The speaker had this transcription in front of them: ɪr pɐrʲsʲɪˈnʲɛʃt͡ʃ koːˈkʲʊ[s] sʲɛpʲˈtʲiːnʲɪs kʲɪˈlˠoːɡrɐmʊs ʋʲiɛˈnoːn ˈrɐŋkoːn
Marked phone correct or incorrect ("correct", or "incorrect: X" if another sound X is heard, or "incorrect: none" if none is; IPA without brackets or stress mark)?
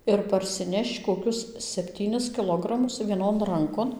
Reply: correct